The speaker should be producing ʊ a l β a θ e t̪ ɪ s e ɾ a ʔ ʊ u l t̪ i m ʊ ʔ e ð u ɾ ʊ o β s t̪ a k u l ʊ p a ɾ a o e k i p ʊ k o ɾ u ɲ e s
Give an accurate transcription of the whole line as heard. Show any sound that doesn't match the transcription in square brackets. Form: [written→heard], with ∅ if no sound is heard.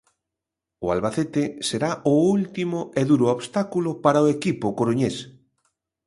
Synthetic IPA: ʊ a l β a θ e t̪ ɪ s e ɾ a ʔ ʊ u l t̪ i m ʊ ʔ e ð u ɾ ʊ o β s t̪ a k u l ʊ p a ɾ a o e k i p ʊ k o ɾ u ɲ e s